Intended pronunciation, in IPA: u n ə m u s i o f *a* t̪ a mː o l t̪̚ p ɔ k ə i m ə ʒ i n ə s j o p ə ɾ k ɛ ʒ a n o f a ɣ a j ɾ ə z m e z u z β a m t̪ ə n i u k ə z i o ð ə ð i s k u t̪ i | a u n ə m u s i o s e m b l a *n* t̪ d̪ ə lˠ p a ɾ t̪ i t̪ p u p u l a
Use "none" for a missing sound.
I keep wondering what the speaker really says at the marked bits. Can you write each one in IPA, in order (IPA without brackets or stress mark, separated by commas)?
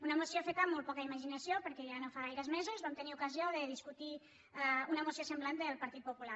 e, n